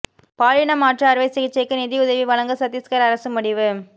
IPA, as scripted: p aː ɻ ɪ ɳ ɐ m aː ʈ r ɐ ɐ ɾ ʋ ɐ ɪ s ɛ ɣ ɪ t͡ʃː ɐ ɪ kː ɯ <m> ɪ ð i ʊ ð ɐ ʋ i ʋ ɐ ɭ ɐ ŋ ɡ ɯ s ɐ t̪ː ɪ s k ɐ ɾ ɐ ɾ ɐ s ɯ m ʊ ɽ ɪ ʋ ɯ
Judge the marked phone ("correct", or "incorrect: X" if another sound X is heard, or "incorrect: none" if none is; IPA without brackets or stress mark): incorrect: n